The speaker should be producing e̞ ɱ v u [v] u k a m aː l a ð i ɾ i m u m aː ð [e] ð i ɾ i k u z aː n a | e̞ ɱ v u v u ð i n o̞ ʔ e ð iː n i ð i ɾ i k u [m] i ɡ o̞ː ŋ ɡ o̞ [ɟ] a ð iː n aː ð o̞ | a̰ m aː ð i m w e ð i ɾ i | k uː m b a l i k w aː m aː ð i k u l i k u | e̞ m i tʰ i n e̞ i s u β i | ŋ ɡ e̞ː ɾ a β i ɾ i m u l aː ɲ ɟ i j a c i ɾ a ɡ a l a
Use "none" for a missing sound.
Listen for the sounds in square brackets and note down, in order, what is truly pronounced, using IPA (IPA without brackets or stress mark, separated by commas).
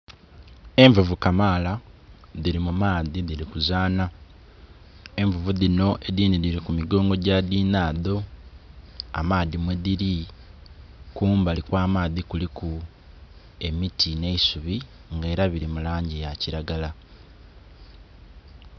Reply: v, i, m, ɟ